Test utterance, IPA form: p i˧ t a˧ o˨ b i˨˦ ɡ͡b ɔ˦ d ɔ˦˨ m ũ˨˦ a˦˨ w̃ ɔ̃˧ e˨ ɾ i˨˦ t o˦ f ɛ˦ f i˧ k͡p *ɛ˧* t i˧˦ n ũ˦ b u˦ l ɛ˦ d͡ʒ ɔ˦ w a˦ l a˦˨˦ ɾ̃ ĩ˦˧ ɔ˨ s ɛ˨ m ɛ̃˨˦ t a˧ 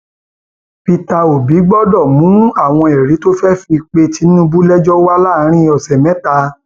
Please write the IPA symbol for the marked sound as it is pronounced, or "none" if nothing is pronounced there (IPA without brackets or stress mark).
e˧